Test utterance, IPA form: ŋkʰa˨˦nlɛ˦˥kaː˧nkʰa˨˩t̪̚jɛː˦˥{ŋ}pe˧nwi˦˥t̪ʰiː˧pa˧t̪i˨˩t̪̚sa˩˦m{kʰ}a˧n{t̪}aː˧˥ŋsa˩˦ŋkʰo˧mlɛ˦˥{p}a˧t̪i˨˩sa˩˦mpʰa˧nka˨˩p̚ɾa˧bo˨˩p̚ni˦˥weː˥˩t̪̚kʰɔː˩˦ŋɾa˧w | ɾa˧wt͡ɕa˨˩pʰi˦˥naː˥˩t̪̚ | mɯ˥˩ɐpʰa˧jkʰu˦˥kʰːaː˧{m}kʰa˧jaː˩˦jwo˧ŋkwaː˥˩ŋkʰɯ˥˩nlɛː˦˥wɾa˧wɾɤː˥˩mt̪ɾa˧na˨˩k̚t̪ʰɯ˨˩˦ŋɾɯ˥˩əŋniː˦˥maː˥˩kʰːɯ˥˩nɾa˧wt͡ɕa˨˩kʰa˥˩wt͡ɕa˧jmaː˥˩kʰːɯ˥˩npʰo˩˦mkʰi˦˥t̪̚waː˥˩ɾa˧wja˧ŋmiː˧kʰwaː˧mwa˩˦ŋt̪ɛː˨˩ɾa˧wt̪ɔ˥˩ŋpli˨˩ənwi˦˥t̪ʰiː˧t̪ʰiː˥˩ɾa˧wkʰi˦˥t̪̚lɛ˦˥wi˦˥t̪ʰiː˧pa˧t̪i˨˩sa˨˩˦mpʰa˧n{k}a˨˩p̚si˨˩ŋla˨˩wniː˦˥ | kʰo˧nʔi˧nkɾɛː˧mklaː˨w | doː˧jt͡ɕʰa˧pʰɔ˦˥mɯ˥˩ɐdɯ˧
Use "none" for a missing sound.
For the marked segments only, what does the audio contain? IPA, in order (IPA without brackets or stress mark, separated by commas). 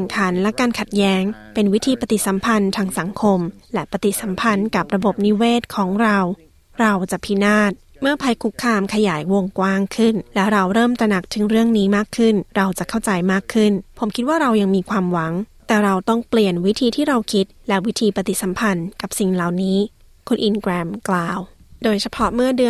ŋ, pʰ, t̪ʰ, p, m, k